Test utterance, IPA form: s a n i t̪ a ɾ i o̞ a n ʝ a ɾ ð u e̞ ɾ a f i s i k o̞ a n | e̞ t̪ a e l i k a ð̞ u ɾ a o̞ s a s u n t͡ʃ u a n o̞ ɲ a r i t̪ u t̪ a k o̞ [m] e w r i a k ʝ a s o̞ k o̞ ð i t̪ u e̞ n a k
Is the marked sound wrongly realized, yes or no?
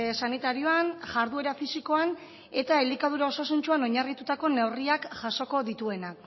yes